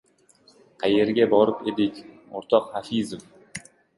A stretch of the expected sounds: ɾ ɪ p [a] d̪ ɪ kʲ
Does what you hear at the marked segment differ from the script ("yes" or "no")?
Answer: yes